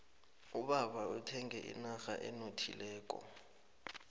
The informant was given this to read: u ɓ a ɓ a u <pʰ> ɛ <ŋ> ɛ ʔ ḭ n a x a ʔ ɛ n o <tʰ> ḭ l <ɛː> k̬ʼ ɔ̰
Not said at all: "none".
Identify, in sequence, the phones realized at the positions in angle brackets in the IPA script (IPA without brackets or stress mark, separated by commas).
tʰ, ŋ, tʰ, ɛː